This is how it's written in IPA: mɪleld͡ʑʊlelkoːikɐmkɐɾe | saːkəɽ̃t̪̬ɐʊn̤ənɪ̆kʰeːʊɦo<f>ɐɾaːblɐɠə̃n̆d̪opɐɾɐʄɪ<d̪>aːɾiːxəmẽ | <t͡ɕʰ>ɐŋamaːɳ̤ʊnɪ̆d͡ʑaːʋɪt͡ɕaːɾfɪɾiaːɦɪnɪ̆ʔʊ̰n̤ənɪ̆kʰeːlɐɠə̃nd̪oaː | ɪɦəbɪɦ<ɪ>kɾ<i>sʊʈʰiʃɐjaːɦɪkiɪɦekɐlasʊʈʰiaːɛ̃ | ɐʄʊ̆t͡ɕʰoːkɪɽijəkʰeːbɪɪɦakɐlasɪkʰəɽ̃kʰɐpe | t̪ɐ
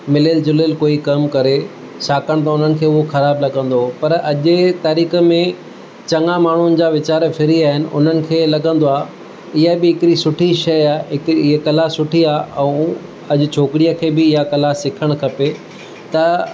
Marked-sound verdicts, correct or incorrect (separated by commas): incorrect, incorrect, incorrect, correct, correct